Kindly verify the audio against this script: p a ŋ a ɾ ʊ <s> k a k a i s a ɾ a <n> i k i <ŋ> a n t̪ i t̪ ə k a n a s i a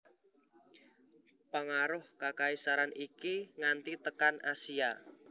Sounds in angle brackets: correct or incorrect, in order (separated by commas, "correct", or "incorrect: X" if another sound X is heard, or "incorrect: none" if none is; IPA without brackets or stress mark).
incorrect: h, correct, correct